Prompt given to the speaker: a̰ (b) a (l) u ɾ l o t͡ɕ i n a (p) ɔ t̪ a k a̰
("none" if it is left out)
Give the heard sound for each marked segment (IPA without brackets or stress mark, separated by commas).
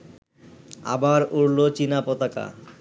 b, ɾ, p